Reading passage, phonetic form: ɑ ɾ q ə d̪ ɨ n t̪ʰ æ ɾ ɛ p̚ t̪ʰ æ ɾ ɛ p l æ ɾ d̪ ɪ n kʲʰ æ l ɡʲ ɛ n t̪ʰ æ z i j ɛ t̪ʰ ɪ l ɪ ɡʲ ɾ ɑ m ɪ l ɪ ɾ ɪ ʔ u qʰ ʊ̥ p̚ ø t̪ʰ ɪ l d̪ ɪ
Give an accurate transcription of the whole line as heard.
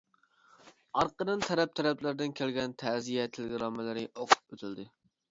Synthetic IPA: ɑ ɾ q ə d̪ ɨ n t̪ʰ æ ɾ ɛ p̚ t̪ʰ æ ɾ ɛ p l æ ɾ d̪ ɪ n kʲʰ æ l ɡʲ ɛ n t̪ʰ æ z i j ɛ t̪ʰ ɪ l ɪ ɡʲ ɾ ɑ m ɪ l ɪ ɾ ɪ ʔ o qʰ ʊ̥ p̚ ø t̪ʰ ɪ l d̪ ɪ